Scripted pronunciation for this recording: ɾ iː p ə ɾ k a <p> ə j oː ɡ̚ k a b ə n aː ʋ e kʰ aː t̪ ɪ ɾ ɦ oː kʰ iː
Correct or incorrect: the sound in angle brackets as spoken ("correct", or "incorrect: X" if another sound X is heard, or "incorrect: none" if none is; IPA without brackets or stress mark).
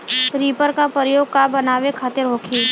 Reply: correct